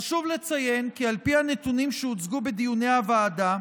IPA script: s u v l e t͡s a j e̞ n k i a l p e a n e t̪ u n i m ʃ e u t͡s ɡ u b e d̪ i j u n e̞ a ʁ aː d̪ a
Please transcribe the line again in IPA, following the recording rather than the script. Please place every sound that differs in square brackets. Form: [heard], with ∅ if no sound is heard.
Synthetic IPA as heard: [ʃ] u v l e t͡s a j e̞ n k i a l p [i] a n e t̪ u n i m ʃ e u t͡s ɡ u b e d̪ i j u n e̞ a [v] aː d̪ a